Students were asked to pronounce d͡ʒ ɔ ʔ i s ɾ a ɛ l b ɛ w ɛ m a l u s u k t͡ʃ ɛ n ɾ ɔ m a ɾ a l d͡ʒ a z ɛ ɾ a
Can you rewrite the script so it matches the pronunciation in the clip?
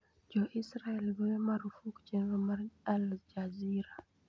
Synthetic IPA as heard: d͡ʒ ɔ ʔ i s ɾ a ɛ l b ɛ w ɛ m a ɾ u f u k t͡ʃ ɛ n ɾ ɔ m a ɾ a l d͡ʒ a z i ɾ a